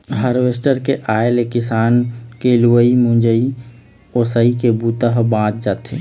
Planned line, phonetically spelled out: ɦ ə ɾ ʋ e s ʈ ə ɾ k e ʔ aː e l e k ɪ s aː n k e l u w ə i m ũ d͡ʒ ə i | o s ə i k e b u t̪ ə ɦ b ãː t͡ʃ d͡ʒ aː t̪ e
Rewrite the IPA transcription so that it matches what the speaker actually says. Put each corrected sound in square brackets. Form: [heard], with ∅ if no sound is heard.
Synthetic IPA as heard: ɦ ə ɾ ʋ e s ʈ ə ɾ k e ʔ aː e l e k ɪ s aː n k e l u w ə i m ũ d͡ʒ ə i | o s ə i k e b u t̪ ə ɦ b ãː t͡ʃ d͡ʒ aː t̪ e